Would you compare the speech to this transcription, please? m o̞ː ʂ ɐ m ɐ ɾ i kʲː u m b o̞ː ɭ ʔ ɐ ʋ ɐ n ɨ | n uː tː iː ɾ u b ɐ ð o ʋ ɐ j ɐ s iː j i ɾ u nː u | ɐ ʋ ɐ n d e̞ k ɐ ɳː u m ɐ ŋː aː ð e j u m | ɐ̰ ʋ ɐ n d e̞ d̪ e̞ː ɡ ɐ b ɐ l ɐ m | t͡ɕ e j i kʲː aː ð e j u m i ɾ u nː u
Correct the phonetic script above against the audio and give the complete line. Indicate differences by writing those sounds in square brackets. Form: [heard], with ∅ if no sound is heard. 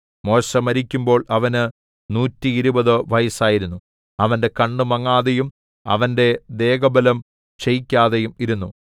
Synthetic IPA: m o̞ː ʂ ɐ m ɐ ɾ i kʲː u m b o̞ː ɭ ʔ ɐ ʋ ɐ n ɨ | n uː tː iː ɾ u b ɐ ð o ʋ ɐ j ɐ s [aː] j i ɾ u nː u | ɐ ʋ ɐ n d e̞ k ɐ ɳː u m ɐ ŋː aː ð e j u m | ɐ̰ ʋ ɐ n d e̞ d̪ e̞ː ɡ ɐ b ɐ l ɐ m | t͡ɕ e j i kʲː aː ð e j u m i ɾ u nː u